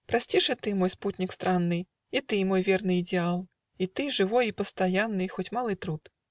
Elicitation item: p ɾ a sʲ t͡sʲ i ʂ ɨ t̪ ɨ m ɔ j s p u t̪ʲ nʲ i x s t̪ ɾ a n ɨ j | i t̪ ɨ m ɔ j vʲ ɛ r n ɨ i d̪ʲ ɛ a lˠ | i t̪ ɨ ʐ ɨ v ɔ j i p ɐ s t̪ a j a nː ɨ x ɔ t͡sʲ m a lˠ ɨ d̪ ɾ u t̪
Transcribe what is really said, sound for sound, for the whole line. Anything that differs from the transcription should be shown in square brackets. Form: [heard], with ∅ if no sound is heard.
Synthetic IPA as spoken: p ɾ a sʲ t͡sʲ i ʂ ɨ t̪ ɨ m ɔ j s p u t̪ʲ nʲ i [k] s t̪ ɾ a [nː] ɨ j | i t̪ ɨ m ɔ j vʲ ɛ r n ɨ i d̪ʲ ɛ a lˠ | i t̪ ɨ ʐ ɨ v ɔ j i p ɐ s t̪ a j a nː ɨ x ɔ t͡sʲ m a lˠ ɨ [t̪] ɾ u t̪